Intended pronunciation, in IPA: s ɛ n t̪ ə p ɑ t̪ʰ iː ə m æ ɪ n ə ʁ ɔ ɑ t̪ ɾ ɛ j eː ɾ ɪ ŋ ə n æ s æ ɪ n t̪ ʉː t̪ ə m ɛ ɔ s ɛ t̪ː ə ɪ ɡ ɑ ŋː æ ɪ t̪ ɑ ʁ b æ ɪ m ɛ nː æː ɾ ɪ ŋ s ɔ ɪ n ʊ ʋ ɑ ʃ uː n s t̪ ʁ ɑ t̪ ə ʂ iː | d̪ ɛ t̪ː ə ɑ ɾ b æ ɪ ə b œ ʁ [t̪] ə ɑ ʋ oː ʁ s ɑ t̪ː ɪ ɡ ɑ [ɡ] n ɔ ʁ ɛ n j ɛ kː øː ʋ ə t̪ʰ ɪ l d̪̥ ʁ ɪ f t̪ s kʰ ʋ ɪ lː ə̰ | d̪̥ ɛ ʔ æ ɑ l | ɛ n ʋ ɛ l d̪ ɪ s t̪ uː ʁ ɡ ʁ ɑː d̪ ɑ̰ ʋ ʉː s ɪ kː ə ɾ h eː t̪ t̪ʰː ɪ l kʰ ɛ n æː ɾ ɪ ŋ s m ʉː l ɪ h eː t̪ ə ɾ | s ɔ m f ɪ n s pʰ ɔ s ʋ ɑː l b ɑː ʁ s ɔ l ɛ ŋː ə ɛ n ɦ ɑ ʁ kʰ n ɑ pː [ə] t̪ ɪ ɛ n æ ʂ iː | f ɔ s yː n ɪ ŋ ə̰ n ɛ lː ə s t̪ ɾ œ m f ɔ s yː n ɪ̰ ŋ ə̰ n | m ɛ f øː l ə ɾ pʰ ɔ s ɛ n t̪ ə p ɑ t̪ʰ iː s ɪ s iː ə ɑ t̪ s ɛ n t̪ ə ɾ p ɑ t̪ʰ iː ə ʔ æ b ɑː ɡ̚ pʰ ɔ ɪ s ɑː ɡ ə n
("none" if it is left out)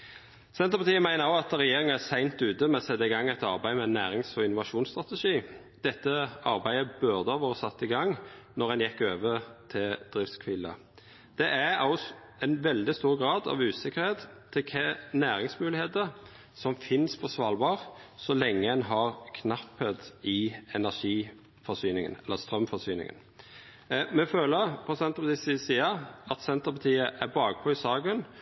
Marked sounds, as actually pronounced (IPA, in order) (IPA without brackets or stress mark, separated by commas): d̪, ŋ, ə